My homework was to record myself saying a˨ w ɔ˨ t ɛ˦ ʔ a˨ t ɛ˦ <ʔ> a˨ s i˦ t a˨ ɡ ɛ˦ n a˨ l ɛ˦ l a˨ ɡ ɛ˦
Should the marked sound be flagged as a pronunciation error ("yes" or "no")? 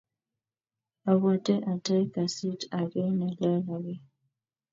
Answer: yes